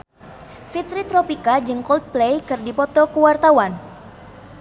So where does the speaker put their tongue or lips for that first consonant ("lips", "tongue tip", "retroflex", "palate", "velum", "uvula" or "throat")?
lips